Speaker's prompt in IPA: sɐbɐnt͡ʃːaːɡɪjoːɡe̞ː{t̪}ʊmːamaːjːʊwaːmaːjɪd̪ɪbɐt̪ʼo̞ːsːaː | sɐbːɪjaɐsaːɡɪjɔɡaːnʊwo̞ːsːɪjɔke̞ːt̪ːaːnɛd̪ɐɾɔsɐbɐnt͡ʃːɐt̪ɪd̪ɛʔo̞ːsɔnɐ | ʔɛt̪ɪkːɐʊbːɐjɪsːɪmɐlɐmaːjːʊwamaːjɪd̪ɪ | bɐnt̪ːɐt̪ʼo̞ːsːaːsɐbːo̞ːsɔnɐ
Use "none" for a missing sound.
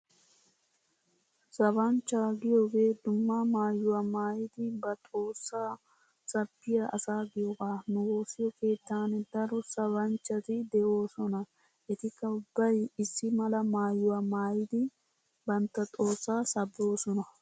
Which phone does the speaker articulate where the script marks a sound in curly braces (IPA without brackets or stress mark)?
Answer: d̪